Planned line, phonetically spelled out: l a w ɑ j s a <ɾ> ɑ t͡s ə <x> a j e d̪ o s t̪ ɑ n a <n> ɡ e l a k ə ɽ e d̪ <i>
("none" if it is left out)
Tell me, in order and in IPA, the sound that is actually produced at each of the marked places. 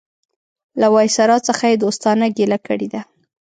ɾ, x, none, a

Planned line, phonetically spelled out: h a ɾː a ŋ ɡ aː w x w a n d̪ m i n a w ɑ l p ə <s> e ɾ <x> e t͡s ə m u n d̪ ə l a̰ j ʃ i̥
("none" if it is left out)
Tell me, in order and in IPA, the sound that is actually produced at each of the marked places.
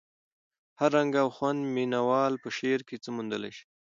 ʃ, k

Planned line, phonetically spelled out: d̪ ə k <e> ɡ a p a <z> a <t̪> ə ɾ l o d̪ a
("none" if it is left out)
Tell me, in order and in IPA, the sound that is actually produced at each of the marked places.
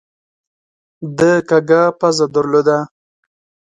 a, z, d̪

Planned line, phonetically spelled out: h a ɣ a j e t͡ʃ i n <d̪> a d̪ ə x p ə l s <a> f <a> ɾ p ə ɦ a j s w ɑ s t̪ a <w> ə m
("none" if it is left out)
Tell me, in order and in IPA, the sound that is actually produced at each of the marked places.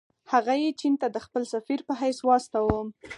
t̪, a, i, w

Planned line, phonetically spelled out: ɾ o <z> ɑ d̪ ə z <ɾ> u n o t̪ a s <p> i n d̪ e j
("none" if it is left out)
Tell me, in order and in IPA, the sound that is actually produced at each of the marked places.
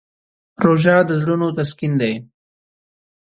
ʒ, ɽ, k

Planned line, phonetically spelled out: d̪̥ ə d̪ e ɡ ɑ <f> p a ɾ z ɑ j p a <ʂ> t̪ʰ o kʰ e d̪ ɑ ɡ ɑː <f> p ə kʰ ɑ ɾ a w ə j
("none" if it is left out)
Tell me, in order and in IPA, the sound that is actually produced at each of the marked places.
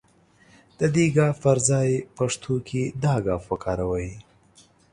f, ʂ, f

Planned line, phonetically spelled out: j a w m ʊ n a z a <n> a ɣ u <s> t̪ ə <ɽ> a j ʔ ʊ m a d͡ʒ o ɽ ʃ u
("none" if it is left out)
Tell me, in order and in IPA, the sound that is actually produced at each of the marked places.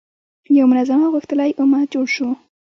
m, x, l

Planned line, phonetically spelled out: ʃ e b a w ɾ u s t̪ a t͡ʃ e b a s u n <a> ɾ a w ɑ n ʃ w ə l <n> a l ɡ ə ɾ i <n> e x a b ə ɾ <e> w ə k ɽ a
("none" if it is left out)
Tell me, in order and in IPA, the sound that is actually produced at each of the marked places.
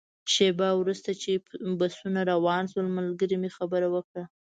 a, m, m, a

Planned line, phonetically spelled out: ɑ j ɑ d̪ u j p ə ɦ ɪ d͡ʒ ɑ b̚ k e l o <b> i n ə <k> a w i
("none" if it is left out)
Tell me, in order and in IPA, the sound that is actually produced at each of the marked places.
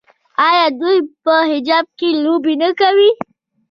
b, k

